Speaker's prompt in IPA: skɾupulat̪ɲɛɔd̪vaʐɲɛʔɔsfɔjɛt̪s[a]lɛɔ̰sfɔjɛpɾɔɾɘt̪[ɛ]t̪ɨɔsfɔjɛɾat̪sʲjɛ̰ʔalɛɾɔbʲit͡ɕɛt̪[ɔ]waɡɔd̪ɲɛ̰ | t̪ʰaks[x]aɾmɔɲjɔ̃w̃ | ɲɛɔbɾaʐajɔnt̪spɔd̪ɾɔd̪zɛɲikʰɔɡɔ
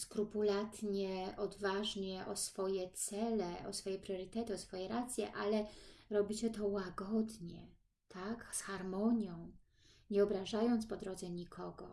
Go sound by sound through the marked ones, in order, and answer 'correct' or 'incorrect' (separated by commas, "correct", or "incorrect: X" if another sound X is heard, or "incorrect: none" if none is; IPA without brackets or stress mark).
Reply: incorrect: ɛ, correct, correct, correct